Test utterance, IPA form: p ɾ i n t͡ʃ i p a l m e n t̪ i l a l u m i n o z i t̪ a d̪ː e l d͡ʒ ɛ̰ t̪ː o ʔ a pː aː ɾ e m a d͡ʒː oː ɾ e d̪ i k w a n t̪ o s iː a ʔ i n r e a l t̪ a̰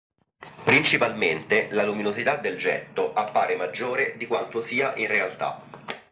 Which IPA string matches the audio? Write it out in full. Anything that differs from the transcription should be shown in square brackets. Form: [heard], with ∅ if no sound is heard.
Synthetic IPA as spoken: p ɾ i n t͡ʃ i p a l m e n t̪ [e] l a l u m i n o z i t̪ a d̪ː e l d͡ʒ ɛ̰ t̪ː o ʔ a pː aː ɾ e m a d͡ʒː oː ɾ e d̪ i k w a n t̪ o s iː a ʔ i n r e a l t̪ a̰